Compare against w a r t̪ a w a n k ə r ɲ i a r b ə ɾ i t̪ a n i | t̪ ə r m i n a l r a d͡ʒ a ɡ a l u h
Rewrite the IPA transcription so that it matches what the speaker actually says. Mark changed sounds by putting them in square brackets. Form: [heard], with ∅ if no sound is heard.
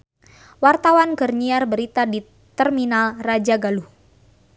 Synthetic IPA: w a r t̪ a w a n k ə r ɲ i a r b ə ɾ i t̪ a [d] i | t̪ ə r m i n a l r a d͡ʒ a ɡ a l u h